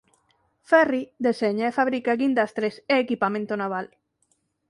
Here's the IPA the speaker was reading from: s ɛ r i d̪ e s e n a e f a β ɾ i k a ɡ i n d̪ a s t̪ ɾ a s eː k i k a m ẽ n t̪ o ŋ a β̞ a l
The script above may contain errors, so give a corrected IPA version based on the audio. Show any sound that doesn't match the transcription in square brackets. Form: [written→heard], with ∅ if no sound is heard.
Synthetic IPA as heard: [s→f] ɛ r i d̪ e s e [n→ɲ] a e f a β ɾ i k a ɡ i n d̪ a s t̪ ɾ [a→e] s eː k i [k→p] a m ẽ n t̪ o [ŋ→n] a β̞ a l